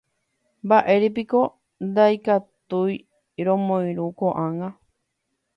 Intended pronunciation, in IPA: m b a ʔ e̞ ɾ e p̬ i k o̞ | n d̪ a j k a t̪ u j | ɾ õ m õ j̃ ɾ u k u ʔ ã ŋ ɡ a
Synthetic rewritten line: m b a ʔ e̞ ɾ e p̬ i k o̞ | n d̪ a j k a t̪ u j | ɾ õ m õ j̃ ɾ u k o ʔ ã ŋ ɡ a